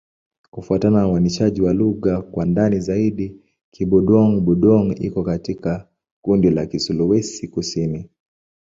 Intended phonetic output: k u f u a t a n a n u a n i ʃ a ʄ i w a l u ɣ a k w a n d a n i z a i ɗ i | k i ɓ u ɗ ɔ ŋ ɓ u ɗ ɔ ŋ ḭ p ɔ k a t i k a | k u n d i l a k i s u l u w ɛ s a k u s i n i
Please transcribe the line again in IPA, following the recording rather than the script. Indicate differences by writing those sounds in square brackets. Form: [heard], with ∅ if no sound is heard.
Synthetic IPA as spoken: k u f u a t a n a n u a n i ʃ a ʄ i w a l u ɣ a k w a n d a n i z a i ɗ i | k i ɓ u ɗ ɔ ŋ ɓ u ɗ ɔ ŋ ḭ [k] ɔ k a t i k a | k u n d i l a k i s u l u w ɛ s [i] k u s i n i